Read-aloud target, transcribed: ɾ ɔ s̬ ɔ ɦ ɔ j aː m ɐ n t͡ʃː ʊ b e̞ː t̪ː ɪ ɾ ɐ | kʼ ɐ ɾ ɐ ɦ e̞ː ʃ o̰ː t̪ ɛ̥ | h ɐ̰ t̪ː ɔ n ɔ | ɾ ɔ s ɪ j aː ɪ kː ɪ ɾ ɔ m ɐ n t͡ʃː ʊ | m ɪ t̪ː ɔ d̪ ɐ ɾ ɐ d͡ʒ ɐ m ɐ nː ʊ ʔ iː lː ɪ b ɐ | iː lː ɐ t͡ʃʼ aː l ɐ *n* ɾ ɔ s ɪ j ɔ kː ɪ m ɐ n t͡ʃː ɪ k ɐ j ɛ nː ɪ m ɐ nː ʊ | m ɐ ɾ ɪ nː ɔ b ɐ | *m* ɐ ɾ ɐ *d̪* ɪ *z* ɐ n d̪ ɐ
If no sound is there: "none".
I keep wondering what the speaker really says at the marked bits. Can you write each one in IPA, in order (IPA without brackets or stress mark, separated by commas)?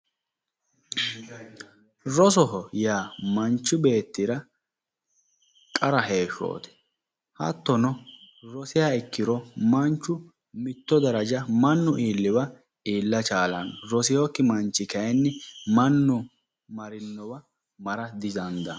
n, m, d̪, z